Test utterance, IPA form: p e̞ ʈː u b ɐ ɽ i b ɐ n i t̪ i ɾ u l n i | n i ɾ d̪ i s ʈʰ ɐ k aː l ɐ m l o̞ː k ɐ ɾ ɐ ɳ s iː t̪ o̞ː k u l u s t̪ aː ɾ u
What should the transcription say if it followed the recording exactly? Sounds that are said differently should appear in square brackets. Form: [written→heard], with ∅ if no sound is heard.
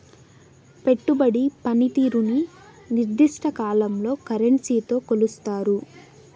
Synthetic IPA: p e̞ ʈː u b ɐ ɽ i [b→p] ɐ n i t̪ [i→iː] ɾ u [l→∅] n i | n i ɾ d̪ i [s→ʂ] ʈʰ ɐ k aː l ɐ m l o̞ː k ɐ ɾ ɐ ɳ s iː t̪ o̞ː k [u→o] l u s t̪ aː ɾ u